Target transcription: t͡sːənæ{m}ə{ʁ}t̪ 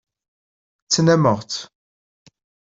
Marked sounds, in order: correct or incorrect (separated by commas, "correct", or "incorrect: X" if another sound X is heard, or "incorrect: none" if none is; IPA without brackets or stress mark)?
correct, correct